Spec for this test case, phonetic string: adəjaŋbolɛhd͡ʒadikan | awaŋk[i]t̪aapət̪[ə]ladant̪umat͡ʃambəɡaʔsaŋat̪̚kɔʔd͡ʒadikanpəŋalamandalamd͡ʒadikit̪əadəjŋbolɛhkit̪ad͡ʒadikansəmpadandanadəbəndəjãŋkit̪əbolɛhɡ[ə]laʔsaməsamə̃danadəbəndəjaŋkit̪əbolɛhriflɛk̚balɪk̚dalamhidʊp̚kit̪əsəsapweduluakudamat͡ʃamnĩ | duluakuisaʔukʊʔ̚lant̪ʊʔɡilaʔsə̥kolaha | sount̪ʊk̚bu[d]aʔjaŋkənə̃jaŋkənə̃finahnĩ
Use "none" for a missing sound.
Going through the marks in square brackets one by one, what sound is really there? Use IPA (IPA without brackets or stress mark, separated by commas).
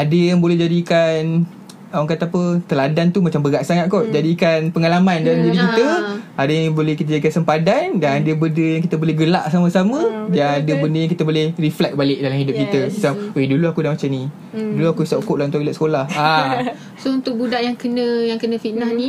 a, ə, ə, d